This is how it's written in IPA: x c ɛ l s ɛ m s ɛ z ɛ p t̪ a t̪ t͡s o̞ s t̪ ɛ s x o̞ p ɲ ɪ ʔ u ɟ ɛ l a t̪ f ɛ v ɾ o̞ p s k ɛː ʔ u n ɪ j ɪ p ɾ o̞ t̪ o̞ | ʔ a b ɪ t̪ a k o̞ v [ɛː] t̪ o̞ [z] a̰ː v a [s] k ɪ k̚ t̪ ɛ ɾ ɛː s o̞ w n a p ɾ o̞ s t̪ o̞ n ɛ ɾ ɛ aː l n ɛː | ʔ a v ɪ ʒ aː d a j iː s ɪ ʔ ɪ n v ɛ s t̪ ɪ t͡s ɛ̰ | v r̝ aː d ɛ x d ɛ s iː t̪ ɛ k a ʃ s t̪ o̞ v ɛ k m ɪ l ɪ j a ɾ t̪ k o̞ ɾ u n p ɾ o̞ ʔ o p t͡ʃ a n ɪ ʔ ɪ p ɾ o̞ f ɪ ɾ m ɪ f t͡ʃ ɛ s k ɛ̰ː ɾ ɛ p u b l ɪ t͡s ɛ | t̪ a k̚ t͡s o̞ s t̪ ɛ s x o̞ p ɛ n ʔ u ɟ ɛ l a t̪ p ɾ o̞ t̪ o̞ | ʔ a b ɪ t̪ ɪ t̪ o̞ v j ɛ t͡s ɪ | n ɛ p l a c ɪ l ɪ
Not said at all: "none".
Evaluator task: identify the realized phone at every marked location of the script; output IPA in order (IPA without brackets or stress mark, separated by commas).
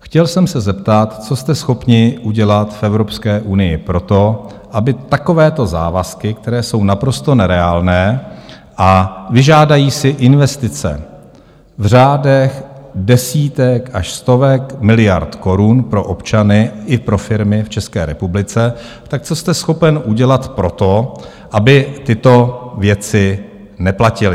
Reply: ɛː, z, s